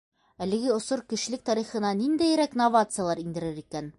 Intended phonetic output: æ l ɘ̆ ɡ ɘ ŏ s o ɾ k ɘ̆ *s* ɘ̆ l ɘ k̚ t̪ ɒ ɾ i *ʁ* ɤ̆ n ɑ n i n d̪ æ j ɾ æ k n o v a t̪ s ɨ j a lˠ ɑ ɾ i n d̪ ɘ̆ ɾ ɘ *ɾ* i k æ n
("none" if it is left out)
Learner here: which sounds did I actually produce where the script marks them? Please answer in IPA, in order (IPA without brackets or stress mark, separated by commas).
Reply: ʃ, χ, ɾ